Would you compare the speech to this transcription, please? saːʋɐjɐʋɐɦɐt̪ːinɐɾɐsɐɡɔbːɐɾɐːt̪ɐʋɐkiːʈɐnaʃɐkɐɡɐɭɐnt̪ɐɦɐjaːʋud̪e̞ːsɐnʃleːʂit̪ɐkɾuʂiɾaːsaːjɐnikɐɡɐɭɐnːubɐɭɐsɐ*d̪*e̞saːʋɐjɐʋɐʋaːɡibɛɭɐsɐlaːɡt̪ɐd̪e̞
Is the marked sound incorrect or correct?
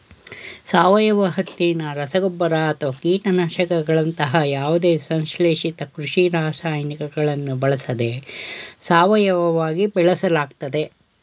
correct